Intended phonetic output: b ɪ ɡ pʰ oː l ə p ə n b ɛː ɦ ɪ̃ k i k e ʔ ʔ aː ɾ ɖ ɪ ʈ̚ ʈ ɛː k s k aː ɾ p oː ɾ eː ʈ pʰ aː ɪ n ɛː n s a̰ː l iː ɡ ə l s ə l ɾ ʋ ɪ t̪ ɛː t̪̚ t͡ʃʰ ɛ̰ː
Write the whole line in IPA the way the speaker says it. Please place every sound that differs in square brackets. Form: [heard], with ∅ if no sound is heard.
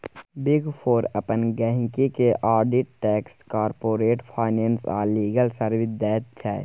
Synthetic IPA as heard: b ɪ ɡ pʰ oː [ɾ] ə p ə n [ɡ] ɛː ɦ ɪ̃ k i k e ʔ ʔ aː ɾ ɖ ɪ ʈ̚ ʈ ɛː k s k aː ɾ p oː ɾ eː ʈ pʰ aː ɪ n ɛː n s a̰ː l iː ɡ ə l s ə [∅] ɾ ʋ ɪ [d̪] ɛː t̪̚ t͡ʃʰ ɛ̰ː

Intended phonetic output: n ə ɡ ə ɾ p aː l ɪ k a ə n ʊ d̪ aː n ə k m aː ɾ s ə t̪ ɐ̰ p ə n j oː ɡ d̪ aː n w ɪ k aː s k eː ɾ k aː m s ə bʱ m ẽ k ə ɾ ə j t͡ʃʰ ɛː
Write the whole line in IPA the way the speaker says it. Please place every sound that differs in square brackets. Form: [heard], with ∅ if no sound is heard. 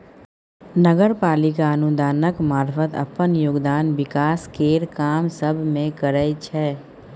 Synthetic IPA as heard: n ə ɡ ə ɾ p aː l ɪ k a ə n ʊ d̪ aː n ə k m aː ɾ [f] ə t̪ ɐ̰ p ə n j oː ɡ d̪ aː n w ɪ k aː s k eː ɾ k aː m s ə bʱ m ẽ k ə ɾ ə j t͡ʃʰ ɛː

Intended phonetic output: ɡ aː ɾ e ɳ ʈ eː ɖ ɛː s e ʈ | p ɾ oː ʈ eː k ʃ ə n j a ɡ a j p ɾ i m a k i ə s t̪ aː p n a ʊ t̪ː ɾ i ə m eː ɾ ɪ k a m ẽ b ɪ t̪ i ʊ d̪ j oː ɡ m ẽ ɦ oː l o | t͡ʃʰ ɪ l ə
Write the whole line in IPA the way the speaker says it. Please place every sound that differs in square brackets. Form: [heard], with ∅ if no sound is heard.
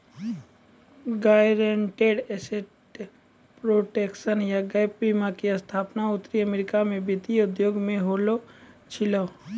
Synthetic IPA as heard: ɡ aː ɾ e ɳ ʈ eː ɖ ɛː s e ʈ | p ɾ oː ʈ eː k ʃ ə n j a ɡ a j p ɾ i m a k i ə s [t̪ʰ] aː p n a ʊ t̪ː ɾ i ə m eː ɾ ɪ k a m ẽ b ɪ t̪ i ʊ d̪ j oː ɡ m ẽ ɦ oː l o | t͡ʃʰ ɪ l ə

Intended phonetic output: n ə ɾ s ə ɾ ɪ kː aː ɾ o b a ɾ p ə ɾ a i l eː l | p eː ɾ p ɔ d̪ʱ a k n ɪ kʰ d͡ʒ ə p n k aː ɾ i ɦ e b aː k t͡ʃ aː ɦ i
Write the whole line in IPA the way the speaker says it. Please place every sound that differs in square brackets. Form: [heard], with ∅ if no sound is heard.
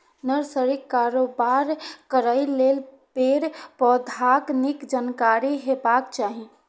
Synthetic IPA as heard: n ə ɾ s ə ɾ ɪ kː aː ɾ o b a ɾ [k] ə ɾ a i l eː l | p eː ɾ p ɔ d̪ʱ a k n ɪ [k] d͡ʒ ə [∅] n k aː ɾ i ɦ e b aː k t͡ʃ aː ɦ i

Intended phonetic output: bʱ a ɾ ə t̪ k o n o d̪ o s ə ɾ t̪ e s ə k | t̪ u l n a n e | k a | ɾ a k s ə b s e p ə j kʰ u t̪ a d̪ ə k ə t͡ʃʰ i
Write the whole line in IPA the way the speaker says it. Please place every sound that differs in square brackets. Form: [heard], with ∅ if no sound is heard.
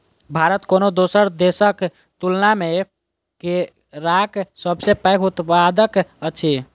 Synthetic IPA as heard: bʱ a ɾ ə t̪ k o n o d̪ o s ə ɾ [d̪] e s ə k | t̪ u l n a [m] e | k [e] | ɾ a k s ə b s e p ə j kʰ u t̪ a d̪ ə k ə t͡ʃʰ i

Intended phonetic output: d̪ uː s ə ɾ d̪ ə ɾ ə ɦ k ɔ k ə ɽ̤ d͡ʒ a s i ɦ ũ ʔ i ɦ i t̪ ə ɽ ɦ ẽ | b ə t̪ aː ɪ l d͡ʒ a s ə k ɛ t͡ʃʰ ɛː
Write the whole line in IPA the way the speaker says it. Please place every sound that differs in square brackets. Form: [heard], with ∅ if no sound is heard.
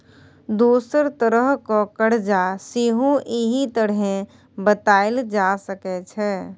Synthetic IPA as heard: d̪ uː s ə ɾ [t̪] ə ɾ ə ɦ k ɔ k ə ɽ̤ d͡ʒ a s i ɦ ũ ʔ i ɦ i t̪ ə ɽ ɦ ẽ | b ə t̪ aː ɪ l d͡ʒ a s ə k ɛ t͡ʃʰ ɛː

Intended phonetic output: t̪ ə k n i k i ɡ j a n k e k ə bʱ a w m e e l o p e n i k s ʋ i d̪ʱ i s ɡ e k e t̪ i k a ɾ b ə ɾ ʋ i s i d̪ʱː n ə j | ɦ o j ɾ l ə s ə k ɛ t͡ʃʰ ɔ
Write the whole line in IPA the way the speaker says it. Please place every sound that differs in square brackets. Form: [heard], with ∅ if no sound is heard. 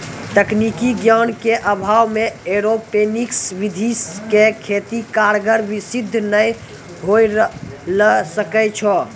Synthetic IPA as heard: t̪ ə k n i k i ɡ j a n k e [ʔ] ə bʱ a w m e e [ɾ] o p e n i k s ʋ i d̪ʱ i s [k] e [kʰ] e t̪ i k a ɾ [ɡ] ə ɾ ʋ i s i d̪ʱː n ə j | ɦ o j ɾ l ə s ə k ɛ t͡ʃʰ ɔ

